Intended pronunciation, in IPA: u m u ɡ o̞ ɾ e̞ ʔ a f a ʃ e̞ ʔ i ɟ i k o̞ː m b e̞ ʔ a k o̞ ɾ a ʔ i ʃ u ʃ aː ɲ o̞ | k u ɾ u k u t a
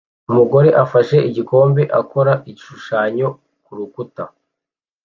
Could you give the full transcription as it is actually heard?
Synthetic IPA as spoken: u m u ɡ o̞ ɾ e̞ ʔ a f a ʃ e̞ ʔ i ɟ i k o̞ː m b e̞ ʔ a k o̞ ɾ a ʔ i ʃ u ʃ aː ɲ o̞ | k u ɾ u k u t a